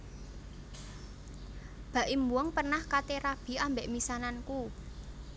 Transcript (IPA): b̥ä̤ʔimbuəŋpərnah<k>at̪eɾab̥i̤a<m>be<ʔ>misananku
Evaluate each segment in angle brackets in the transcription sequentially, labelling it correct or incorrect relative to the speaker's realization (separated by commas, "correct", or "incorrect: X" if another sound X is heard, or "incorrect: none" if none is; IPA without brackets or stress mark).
correct, correct, correct